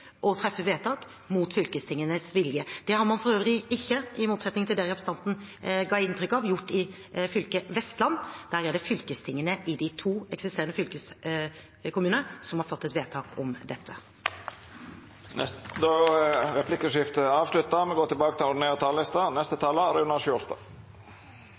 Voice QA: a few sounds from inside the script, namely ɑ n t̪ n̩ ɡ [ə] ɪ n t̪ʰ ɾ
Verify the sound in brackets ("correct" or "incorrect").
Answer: incorrect